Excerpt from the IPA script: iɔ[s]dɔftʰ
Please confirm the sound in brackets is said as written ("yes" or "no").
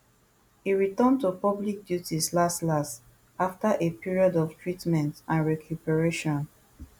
no